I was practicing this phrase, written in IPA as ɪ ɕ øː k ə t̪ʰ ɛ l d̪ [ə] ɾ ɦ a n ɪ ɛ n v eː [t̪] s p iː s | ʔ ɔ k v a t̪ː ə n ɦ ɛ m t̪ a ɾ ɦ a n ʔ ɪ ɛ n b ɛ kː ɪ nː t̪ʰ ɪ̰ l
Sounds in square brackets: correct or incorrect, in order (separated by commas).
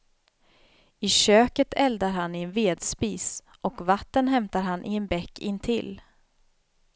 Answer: incorrect, incorrect